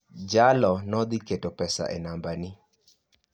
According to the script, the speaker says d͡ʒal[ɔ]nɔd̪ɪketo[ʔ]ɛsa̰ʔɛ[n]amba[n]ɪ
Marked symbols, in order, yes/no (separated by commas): yes, no, yes, yes